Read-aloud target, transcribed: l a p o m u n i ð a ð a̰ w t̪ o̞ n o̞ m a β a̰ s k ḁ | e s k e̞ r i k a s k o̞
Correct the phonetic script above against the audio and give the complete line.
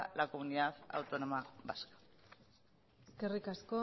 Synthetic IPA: l a k o m u n i ð a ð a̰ w t̪ o̞ n o̞ m a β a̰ s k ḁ | e s k e̞ r i k a s k o̞